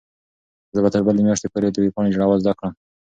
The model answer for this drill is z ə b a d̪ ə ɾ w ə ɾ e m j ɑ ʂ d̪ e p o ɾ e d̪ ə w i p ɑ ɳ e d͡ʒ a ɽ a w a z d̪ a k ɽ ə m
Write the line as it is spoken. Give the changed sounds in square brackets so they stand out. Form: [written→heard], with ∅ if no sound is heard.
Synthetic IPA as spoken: z ə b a [d̪→t̪] ə ɾ [w→b] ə [ɾ→l] e m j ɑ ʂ [d̪→t̪] e p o ɾ e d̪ ə w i p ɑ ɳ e d͡ʒ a ɽ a w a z d̪ a k ɽ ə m